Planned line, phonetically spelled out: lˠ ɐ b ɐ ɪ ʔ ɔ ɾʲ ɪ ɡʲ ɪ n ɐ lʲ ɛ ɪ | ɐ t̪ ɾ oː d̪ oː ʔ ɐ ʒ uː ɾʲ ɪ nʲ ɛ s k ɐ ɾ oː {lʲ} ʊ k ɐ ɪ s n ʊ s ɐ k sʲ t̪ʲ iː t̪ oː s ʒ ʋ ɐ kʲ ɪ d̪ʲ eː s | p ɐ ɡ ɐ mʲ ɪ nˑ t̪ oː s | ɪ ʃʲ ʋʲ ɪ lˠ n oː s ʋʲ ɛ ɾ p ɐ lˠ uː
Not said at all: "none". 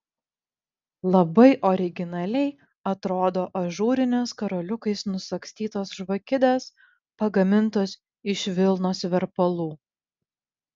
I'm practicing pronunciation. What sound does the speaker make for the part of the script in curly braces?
lʲ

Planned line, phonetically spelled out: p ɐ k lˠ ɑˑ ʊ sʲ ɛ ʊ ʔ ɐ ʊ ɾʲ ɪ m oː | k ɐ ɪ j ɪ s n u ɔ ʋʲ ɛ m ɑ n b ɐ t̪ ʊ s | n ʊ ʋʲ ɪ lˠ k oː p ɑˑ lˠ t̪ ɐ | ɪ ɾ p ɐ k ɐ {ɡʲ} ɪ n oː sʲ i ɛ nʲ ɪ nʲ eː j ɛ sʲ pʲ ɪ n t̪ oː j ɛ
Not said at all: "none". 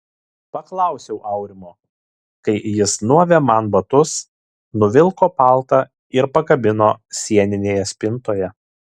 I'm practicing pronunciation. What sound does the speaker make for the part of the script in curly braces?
bʲ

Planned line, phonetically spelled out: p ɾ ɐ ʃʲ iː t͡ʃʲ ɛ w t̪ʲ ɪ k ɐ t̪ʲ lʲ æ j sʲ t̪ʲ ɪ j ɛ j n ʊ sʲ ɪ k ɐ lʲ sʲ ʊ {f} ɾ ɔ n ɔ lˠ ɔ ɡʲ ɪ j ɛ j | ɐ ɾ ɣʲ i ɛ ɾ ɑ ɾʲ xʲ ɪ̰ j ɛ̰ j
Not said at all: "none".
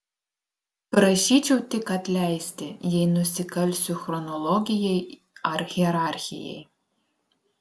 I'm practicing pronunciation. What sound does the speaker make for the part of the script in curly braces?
x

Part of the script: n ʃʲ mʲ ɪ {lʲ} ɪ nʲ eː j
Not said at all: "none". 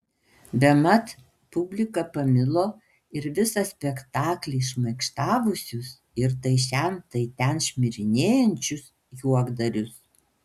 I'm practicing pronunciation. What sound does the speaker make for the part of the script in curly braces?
ɾʲ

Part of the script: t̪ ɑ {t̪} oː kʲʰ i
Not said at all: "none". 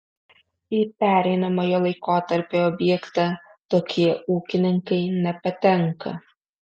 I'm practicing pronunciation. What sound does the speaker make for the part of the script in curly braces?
t̪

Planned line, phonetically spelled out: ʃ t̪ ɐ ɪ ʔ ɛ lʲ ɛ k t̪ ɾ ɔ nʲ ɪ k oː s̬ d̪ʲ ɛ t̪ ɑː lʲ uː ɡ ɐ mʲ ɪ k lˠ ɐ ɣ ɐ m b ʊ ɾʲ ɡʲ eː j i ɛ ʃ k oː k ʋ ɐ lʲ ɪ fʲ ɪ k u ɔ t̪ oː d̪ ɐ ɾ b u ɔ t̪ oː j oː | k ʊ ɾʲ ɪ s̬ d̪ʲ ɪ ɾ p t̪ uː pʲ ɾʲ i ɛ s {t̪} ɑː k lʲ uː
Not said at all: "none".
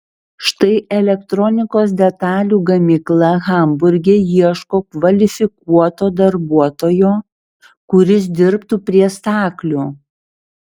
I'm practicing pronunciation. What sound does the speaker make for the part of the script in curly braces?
t̪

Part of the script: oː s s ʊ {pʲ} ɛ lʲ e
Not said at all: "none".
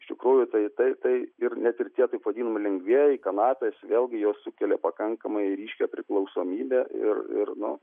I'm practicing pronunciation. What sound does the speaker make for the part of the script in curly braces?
kʲ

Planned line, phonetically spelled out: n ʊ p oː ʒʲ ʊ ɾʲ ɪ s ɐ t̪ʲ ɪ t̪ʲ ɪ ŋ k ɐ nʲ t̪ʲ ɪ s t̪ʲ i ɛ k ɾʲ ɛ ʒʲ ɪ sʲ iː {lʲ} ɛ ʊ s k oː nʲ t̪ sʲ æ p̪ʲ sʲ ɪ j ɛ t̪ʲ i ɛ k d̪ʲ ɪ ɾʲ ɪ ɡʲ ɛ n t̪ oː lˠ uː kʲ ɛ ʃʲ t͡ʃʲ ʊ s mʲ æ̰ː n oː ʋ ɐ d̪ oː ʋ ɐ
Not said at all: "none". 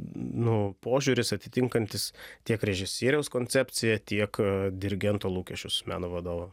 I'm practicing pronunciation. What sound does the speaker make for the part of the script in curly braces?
ɾʲ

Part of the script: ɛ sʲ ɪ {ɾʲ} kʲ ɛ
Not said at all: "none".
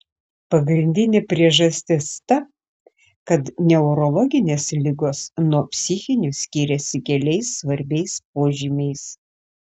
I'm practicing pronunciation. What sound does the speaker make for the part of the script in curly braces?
none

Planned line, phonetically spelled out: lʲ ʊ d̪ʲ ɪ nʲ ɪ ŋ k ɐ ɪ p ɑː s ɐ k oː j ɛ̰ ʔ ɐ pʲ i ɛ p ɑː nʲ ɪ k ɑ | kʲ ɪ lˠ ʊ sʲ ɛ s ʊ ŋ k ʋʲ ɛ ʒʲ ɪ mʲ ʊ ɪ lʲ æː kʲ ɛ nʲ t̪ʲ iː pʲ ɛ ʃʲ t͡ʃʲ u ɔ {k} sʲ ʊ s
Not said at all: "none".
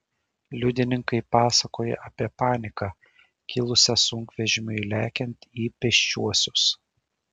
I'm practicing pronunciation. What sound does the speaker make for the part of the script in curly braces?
none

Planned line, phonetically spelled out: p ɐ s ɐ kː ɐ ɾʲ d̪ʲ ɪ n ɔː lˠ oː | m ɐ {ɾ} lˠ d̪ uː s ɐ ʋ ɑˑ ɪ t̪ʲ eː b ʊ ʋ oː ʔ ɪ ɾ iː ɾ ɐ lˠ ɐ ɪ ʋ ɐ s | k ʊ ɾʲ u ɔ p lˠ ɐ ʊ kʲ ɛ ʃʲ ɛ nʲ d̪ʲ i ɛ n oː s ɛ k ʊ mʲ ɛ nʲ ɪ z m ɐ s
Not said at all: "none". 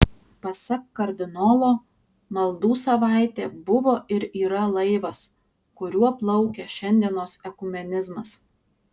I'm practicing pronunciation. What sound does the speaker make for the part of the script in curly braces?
none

